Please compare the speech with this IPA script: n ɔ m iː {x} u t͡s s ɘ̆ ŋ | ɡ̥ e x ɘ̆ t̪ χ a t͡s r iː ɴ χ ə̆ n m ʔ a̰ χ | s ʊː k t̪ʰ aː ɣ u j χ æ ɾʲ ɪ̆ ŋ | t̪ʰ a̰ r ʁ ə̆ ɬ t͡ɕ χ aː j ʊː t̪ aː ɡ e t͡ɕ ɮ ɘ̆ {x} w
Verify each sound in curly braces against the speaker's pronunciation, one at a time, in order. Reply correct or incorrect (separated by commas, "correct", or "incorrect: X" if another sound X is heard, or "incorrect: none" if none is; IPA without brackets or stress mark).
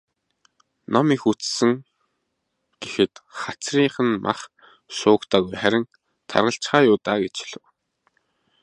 correct, incorrect: none